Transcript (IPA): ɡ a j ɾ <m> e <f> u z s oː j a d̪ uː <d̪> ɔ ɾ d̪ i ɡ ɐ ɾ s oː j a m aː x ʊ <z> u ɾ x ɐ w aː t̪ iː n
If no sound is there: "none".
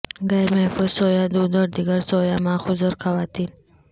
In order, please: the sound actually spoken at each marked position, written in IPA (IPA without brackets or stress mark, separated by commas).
m, f, d̪, z